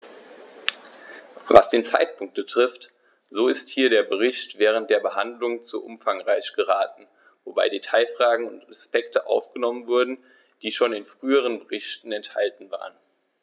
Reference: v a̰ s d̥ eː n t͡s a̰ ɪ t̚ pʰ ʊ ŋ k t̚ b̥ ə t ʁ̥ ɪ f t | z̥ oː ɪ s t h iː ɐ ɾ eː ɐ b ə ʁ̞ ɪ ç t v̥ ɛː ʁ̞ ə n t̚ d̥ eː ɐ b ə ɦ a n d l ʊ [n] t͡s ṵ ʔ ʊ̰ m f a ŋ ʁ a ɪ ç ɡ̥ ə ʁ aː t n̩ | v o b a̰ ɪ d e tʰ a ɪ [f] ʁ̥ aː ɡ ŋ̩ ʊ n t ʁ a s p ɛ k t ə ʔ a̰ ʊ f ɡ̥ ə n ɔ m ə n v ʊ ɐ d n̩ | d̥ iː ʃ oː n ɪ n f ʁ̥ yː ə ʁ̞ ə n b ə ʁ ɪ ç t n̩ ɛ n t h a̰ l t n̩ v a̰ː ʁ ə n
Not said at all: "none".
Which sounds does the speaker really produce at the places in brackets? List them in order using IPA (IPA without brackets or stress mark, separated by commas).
ŋ, f